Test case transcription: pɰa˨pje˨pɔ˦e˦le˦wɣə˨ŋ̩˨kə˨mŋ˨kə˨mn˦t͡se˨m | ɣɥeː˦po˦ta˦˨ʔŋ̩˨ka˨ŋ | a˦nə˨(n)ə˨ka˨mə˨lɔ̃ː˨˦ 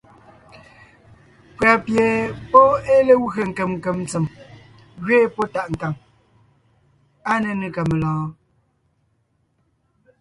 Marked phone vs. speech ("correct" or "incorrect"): correct